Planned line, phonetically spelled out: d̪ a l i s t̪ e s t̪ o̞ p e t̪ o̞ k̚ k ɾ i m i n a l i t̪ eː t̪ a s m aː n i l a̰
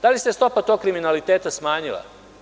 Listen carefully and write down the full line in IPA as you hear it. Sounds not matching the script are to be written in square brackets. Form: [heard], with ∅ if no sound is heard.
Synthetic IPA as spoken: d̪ a l i s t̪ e s t̪ o̞ p [a] t̪ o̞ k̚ k ɾ i m i n a l i t̪ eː t̪ a s m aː [ɲ] i l a̰